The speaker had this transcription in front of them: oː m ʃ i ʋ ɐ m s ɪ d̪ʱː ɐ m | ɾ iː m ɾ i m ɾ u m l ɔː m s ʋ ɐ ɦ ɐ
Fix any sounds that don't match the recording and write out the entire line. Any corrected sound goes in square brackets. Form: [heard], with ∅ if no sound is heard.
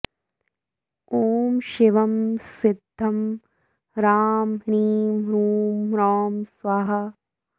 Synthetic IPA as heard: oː m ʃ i ʋ ɐ m s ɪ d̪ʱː ɐ m | ɾ [aː] m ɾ [iː] m ɾ [uː] m [ɾ] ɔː m s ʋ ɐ ɦ ɐ